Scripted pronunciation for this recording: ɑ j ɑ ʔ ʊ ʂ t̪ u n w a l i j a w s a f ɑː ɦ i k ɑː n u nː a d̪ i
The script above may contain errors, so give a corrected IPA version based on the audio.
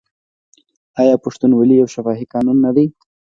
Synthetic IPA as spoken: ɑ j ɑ p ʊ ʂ t̪ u n w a l i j a w ʃ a f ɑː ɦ i k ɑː n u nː a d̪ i